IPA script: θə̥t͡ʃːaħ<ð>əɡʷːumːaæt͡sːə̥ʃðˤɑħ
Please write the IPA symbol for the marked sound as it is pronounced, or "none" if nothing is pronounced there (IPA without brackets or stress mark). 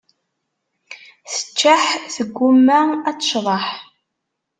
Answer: θ